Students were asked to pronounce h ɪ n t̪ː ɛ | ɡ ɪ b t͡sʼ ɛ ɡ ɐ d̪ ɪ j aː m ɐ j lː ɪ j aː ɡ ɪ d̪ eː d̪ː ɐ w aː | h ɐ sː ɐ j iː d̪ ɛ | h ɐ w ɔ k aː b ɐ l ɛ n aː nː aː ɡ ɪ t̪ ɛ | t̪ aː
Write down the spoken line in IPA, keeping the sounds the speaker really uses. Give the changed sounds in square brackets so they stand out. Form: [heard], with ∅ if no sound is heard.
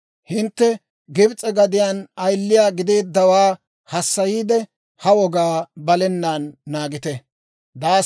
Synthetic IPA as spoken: h ɪ n t̪ː ɛ | ɡ ɪ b t͡sʼ ɛ ɡ ɐ d̪ ɪ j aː [n] ɐ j lː ɪ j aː ɡ ɪ d̪ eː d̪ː ɐ w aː | h ɐ sː ɐ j iː d̪ ɛ | h ɐ w ɔ [ɡ] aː b ɐ l ɛ [nː] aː nː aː ɡ ɪ t̪ ɛ | [d̪] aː